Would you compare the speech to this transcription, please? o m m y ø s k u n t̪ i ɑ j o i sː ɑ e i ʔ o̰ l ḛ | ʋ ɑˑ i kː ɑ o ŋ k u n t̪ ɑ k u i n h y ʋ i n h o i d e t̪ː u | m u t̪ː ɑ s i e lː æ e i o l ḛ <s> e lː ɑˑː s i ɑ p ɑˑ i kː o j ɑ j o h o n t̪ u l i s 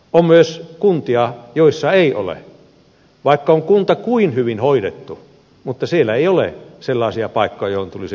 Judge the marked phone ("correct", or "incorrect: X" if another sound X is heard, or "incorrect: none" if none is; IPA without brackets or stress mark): correct